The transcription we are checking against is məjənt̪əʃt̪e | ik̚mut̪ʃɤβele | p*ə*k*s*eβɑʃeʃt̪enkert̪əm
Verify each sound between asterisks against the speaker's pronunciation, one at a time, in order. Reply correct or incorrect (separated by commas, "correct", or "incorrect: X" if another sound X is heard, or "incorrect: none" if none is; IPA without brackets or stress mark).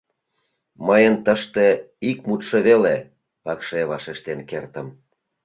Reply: incorrect: ɑ, incorrect: ʃ